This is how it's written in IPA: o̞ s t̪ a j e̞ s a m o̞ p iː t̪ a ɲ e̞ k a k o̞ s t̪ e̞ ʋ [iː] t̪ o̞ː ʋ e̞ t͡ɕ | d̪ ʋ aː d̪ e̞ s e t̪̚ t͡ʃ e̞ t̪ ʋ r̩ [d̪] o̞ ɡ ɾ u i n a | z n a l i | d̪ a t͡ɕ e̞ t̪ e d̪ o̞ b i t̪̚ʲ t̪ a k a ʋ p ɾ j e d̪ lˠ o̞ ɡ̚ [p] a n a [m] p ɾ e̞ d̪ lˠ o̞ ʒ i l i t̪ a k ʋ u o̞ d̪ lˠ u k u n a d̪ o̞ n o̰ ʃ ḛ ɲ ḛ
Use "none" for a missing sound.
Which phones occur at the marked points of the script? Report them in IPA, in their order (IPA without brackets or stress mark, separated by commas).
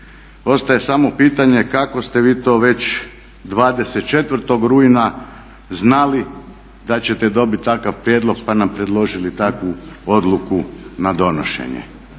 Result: iː, t̪, p, m